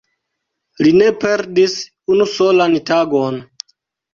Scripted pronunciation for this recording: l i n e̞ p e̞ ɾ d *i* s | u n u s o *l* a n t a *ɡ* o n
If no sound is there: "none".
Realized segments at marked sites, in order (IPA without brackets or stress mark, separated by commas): i, l, ɡ